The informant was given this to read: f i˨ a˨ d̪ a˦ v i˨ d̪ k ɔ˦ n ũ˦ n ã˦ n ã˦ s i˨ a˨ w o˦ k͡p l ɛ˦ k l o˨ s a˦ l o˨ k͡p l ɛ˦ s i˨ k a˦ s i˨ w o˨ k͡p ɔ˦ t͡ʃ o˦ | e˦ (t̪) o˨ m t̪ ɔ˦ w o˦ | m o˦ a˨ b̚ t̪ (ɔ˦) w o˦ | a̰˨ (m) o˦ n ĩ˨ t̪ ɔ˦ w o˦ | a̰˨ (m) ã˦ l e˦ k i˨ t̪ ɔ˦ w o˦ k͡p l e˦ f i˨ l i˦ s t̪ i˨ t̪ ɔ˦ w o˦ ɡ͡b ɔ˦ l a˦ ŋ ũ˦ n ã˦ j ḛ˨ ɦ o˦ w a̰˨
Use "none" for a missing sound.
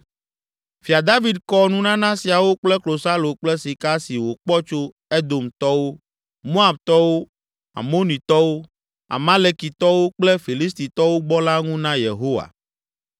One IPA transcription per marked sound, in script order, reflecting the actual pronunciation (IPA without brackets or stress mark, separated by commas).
d̪, ɔ˦, m, m